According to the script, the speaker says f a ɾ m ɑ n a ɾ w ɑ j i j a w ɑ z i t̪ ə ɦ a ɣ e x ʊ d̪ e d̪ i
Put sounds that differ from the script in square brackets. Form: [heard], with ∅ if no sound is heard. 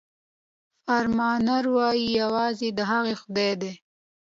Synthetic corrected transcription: f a ɾ m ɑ n a ɾ w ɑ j i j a w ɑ z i [d̪] ə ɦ a ɣ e x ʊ d̪ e d̪ [e]